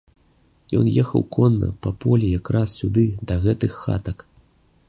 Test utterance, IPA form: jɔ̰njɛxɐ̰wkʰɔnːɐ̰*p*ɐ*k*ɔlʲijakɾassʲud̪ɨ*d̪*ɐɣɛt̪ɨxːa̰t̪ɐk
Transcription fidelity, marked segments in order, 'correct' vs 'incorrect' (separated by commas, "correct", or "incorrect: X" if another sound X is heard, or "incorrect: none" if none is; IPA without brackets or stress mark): correct, incorrect: p, correct